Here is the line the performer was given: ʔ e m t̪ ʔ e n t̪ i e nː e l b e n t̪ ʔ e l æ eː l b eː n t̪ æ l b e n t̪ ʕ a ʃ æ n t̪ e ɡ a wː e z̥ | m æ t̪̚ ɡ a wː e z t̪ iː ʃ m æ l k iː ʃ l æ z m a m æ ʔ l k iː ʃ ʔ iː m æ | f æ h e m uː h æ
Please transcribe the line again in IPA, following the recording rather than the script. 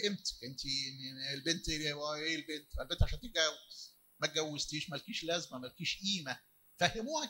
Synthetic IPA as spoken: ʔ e m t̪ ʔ e n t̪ i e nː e l b e n t̪ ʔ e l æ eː l b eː n t̪ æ l b e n t̪ ʕ a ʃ æ n t̪ e ɡ æ wː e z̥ | m æ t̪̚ ɡ æ wː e z t̪ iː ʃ m æ l k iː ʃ l æ z m æ m æ l k iː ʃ ʔ iː m æ | f æ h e m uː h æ